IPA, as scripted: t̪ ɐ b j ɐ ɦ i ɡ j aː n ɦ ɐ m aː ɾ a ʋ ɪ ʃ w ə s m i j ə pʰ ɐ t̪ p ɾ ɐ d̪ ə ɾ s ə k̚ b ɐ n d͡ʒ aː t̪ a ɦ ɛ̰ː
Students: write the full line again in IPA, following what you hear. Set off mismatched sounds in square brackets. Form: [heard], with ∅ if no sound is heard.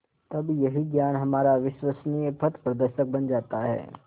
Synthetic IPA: t̪ ɐ b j ɐ ɦ i ɡ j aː n ɦ ɐ m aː ɾ a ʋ ɪ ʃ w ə s [n] i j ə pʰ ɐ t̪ p ɾ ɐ d̪ ə ɾ [ʃ] ə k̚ b ɐ n d͡ʒ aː t̪ a ɦ ɛ̰ː

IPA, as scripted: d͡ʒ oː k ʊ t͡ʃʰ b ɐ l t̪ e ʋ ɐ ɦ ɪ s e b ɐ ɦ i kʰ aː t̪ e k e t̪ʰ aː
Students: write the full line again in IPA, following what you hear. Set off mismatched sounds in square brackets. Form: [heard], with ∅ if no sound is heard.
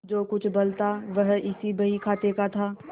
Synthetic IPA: d͡ʒ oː k ʊ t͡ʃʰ b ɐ l t̪ [a] ʋ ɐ ɦ ɪ s [i] b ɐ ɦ i kʰ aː t̪ e k [a] t̪ʰ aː

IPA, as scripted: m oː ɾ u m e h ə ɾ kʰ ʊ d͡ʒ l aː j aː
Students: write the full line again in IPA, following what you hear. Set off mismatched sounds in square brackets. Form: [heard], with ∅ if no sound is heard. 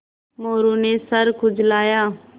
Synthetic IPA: m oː ɾ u [n] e [s] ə ɾ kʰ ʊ d͡ʒ l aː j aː

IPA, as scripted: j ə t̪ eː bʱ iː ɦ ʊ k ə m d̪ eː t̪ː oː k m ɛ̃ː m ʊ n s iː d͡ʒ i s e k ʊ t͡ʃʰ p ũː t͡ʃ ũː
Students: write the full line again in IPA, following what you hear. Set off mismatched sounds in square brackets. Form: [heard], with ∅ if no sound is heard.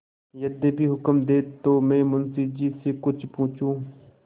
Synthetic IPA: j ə [d̪] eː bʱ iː ɦ ʊ k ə m d̪ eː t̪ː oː [∅] m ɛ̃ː m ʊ n s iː d͡ʒ i s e k ʊ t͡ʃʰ p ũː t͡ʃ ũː

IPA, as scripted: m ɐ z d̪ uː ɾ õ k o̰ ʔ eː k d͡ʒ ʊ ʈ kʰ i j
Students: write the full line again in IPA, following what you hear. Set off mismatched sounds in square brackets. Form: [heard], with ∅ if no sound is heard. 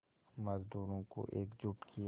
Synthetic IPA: m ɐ z d̪ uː ɾ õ k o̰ ʔ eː k d͡ʒ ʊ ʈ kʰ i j

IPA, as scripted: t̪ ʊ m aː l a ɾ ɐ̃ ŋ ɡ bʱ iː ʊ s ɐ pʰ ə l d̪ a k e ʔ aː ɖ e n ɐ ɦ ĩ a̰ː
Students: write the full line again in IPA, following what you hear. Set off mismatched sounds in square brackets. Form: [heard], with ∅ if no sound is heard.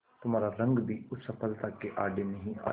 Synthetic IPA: t̪ ʊ m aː [ɾ] a ɾ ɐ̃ ŋ ɡ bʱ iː ʊ s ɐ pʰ ə l [t̪] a k e ʔ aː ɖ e n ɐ ɦ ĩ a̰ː

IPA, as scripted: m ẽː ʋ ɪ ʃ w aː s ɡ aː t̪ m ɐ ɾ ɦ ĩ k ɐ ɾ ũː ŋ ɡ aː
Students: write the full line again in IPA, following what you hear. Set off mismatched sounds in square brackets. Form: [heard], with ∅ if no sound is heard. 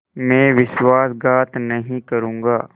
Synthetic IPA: m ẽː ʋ ɪ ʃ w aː s ɡ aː t̪ [n] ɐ [∅] ɦ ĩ k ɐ ɾ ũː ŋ ɡ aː

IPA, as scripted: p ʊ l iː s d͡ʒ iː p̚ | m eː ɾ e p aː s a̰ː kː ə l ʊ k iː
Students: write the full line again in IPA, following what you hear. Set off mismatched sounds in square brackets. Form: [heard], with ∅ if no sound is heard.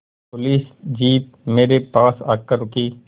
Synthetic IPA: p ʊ l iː s d͡ʒ iː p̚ | m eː ɾ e p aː s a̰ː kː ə [ɾ] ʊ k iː

